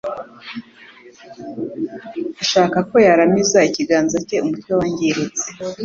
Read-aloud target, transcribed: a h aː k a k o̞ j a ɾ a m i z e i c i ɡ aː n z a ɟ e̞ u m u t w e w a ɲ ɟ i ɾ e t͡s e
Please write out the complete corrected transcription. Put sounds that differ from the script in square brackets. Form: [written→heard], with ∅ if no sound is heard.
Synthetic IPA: a [h→ʃ] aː k a k o̞ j a ɾ a m i z [e→a] i c i ɡ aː n z a [ɟ→c] e̞ u m u t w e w a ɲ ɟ i ɾ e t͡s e